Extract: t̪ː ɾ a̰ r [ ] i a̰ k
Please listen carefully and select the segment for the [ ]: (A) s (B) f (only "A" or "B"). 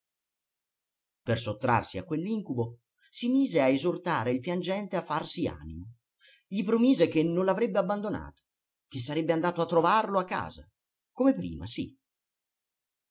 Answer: A